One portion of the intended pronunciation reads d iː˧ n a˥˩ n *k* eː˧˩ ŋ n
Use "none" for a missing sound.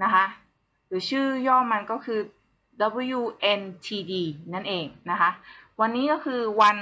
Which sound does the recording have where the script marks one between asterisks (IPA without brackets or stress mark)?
ʔ